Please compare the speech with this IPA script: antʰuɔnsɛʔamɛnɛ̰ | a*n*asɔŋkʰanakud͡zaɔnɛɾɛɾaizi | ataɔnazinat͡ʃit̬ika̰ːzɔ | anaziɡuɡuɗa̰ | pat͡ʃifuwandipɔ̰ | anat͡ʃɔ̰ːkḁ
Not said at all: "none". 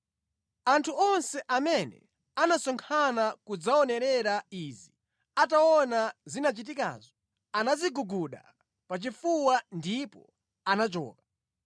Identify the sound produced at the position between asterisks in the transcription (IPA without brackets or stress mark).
n